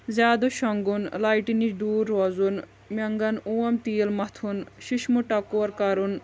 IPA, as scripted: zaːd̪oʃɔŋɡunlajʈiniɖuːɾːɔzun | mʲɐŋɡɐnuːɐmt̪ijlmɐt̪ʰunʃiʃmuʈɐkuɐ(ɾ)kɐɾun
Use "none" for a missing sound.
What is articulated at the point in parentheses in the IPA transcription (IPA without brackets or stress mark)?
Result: ɾ